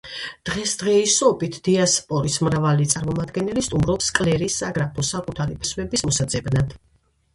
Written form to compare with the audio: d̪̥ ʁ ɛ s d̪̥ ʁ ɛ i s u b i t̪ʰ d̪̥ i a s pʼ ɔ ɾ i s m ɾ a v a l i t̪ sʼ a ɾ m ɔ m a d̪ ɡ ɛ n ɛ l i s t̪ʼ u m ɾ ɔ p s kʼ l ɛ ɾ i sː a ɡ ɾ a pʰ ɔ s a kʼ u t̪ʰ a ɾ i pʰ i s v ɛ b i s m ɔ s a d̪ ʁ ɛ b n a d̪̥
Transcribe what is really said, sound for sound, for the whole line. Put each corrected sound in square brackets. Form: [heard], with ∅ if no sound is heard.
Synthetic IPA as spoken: d̪̥ ʁ ɛ s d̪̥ ʁ ɛ i s [ɔ] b i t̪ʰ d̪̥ i a s pʼ ɔ ɾ i s m ɾ a v a l i t̪ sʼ a ɾ m ɔ m a d̪ ɡ ɛ n ɛ l i s t̪ʼ u m ɾ ɔ p s kʼ l ɛ ɾ i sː a ɡ ɾ a pʰ ɔ s a kʼ u t̪ʰ a ɾ i pʰ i s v ɛ b i s m ɔ s a d̪ [z] ɛ b n a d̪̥